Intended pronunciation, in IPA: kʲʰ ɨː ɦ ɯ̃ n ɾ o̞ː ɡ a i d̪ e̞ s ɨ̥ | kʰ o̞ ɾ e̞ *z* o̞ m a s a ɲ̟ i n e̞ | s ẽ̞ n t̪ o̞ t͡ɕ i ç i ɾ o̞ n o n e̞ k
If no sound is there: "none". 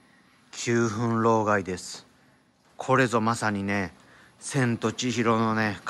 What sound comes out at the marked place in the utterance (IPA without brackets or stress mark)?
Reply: z